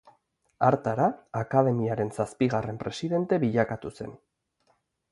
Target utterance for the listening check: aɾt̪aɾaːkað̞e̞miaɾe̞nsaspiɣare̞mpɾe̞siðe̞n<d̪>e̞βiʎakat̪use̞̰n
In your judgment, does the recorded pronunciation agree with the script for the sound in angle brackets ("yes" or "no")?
no